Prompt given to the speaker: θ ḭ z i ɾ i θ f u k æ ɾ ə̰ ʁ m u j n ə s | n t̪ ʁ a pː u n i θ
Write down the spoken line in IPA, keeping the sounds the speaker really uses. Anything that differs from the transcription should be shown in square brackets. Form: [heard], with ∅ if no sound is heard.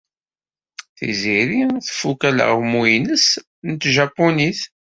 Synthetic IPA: θ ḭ z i ɾ i θ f u k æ [l] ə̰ ʁ m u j n ə s | n t̪ [ʒ] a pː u n i θ